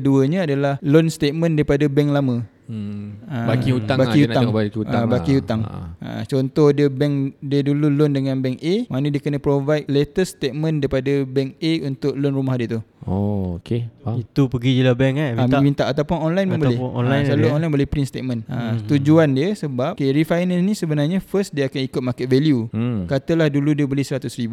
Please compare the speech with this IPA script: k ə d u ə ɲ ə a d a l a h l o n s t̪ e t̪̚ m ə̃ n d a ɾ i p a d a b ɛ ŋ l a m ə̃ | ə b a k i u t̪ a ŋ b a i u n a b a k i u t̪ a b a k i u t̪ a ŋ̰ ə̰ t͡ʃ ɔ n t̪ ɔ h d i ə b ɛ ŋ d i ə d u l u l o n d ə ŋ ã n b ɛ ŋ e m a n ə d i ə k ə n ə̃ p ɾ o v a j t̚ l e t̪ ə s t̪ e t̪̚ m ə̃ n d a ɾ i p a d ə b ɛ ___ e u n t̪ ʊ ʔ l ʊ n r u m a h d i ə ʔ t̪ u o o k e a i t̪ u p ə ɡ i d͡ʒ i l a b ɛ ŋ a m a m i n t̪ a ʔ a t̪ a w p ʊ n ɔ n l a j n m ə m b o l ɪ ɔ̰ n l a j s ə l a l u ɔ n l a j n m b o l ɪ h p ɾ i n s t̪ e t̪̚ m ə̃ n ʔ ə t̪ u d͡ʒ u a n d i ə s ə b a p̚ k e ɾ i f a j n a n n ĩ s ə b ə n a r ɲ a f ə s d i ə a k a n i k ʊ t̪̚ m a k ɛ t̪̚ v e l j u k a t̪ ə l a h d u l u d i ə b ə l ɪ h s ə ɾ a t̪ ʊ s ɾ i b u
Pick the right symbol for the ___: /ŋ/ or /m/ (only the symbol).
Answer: ŋ